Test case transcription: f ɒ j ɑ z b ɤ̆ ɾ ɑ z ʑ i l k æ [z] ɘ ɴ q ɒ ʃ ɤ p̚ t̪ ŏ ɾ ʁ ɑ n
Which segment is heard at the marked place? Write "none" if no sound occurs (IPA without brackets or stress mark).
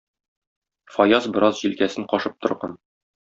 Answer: s